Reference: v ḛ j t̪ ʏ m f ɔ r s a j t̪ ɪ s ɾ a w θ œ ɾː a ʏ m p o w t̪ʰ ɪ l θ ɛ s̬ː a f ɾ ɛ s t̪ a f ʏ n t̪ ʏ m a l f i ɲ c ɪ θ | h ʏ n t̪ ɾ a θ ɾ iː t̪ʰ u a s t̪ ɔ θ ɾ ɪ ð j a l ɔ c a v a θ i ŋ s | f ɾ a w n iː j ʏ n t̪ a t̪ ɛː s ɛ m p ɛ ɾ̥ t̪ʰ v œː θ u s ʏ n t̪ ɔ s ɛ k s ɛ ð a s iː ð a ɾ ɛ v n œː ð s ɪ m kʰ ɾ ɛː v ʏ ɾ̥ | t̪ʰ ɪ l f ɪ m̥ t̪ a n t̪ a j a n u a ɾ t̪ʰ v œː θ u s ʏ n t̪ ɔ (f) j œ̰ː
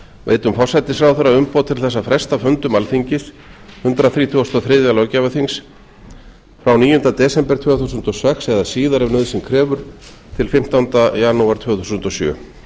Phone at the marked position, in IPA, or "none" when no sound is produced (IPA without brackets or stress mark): s